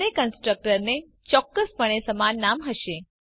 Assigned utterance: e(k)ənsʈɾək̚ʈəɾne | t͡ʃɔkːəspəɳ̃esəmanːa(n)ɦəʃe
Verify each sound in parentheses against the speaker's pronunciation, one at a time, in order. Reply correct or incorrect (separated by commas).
correct, incorrect